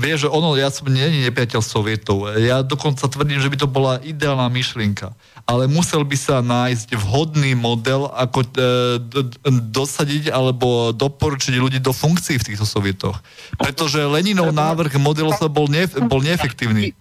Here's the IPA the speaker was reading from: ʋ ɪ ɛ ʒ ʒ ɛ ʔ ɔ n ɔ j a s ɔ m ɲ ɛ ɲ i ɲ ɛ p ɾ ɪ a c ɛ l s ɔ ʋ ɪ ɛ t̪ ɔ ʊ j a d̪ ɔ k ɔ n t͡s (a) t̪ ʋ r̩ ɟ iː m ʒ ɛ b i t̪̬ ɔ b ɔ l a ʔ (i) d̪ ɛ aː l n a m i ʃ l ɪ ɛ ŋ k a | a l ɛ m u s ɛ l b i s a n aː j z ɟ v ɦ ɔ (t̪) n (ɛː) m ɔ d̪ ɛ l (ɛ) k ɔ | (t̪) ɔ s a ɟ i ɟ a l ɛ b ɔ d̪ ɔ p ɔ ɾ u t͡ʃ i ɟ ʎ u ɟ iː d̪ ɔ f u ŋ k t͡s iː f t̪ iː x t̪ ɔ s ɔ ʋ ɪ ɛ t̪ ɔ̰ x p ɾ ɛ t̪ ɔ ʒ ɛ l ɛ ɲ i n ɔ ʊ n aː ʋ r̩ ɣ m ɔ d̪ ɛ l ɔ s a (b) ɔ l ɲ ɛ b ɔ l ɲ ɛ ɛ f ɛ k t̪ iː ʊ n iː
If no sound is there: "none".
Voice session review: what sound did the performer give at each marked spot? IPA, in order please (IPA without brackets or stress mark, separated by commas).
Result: a, i, d̪, iː, a, d̪, b